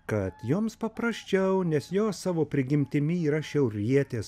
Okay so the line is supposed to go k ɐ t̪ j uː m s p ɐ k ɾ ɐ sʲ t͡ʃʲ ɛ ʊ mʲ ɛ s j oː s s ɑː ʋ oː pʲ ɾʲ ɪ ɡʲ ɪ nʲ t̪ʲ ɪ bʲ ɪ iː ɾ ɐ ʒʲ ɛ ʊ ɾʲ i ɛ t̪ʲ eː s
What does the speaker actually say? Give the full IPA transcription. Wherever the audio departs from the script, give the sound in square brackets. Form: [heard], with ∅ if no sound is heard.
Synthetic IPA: k ɐ t̪ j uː m s p ɐ [p] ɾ ɐ sʲ t͡ʃʲ ɛ ʊ [nʲ] ɛ s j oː s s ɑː ʋ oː pʲ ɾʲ ɪ ɡʲ ɪ [mʲ] t̪ʲ ɪ [mʲ] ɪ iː ɾ ɐ [ʃʲ] ɛ ʊ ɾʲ i ɛ t̪ʲ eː s